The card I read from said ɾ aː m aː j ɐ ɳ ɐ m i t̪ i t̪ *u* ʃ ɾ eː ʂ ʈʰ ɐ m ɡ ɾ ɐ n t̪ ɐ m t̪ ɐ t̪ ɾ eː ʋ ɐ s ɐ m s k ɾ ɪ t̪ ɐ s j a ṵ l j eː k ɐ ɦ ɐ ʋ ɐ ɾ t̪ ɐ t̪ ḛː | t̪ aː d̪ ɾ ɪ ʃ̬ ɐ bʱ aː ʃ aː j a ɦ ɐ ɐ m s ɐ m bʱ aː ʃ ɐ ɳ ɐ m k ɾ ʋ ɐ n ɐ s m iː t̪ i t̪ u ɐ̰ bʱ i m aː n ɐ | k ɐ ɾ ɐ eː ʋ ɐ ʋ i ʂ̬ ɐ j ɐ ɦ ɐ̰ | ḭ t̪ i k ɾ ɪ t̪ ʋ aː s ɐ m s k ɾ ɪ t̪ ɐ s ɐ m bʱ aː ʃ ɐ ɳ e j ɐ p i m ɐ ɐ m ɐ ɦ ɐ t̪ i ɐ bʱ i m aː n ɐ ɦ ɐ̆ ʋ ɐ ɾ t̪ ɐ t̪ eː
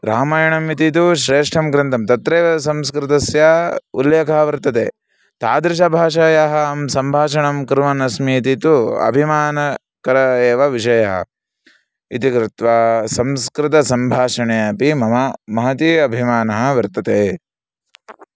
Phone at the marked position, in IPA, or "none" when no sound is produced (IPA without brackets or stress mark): u